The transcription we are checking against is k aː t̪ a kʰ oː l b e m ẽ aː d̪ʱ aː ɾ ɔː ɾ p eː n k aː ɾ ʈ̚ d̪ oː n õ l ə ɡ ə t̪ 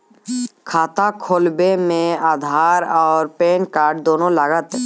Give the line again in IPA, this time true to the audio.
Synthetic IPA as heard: kʰ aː t̪ a kʰ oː l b e m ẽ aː d̪ʱ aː ɾ ɔː ɾ p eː n k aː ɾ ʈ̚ d̪ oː n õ l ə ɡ ə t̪

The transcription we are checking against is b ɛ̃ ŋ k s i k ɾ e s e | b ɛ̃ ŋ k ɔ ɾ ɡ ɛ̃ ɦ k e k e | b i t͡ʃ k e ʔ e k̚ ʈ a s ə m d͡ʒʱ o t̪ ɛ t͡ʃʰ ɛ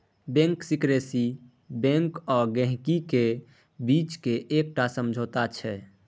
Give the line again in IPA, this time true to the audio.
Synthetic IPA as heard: b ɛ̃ ŋ k s i k ɾ e s i | b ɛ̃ ŋ k ɔ ɾ ɡ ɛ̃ ɦ k i k e | b i t͡ʃ k e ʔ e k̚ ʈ a s ə m d͡ʒʱ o t̪ a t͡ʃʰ ɛ

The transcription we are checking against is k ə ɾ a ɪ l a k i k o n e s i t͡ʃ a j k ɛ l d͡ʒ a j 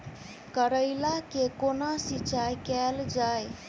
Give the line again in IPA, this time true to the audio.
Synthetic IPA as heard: k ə ɾ ə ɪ l a k e k o n a s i t͡ʃ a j k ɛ l d͡ʒ a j

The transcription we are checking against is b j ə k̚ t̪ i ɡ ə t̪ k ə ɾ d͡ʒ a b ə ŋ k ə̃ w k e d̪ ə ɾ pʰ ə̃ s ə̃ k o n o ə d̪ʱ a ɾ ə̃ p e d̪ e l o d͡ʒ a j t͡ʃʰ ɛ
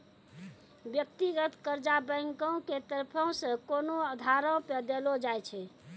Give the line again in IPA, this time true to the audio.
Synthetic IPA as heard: b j ə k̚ t̪ i ɡ ə t̪ k ə ɾ d͡ʒ a b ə ŋ k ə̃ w k e t̪ ə ɾ pʰ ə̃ s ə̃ k o n o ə d̪ʱ a ɾ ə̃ p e d̪ e l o d͡ʒ a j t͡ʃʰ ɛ

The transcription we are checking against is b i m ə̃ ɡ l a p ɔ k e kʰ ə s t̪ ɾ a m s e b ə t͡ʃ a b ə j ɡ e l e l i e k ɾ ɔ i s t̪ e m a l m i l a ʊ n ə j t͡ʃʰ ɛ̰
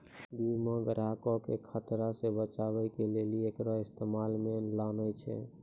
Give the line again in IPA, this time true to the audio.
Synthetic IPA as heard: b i m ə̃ ɡ ɾ a k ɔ k e kʰ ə t̪ ɾ a s e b ə t͡ʃ a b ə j k e l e l i e k ɾ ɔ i s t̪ e m a l m e l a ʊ n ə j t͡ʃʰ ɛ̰

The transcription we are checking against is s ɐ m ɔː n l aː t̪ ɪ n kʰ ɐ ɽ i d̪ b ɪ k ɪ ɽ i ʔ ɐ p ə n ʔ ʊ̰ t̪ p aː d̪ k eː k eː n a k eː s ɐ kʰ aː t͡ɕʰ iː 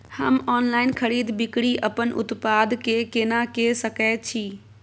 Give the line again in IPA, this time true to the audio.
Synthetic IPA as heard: h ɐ m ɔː n l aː ɪ n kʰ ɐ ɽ iː d̪ b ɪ k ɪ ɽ i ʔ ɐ p ə n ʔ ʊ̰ t̪ p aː d̪ k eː k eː n a k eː s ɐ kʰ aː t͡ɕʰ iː

